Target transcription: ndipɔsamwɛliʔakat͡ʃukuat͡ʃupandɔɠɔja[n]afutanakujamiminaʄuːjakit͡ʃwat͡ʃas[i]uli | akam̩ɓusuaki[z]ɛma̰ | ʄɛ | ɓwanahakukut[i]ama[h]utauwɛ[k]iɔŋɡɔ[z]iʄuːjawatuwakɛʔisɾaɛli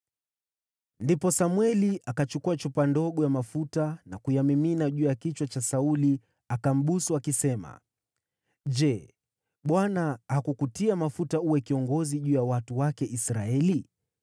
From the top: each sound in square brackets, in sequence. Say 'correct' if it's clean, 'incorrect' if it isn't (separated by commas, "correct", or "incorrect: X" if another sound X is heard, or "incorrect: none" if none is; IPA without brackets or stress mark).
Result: incorrect: m, incorrect: a, incorrect: s, correct, incorrect: f, correct, correct